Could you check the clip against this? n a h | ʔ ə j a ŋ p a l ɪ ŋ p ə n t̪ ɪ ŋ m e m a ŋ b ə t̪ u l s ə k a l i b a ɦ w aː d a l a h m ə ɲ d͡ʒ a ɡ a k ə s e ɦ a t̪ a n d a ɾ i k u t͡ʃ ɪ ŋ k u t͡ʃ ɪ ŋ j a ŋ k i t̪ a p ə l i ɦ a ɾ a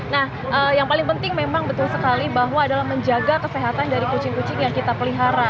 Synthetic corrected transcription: n a h | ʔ ə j a ŋ p a l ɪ ŋ p ə n t̪ ɪ ŋ m e m a ŋ b ə t̪ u l s ə k a l i b a ɦ w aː d a l a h m ə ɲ d͡ʒ a ɡ a k ə s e ɦ a t̪ a n d a ɾ i k u t͡ʃ ɪ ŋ k u t͡ʃ ɪ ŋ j a ŋ k i t̪ a p ə l i ɦ a ɾ a